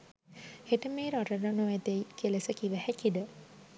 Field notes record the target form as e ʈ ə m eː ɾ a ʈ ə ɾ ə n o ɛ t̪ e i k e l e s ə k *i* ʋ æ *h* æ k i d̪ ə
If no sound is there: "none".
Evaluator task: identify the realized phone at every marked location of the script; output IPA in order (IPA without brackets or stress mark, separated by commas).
i, h